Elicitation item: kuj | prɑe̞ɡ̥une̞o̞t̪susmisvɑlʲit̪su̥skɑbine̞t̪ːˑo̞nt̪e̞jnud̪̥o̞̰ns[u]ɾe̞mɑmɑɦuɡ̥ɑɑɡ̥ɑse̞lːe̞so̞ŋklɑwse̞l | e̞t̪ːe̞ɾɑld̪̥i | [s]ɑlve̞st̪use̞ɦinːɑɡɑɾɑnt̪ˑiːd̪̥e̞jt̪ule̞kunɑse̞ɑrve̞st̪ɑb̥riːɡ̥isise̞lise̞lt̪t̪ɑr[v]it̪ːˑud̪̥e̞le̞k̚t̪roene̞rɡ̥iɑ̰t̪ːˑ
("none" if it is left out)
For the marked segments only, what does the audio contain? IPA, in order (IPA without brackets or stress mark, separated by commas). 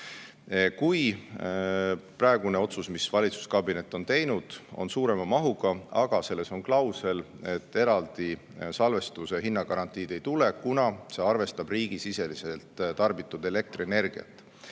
uː, s, b